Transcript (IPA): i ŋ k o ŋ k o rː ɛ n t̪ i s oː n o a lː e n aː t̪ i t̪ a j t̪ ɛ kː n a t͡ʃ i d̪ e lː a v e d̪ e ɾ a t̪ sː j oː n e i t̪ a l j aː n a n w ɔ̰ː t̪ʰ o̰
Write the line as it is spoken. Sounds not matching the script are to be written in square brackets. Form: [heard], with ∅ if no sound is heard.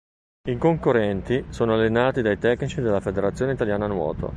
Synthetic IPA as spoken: i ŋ k o ŋ k o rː ɛ n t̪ i s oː n o a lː e n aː t̪ i [d̪] a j t̪ ɛ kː n [i] t͡ʃ i d̪ e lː a [f] e d̪ e ɾ a t̪ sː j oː n e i t̪ a l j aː n a n w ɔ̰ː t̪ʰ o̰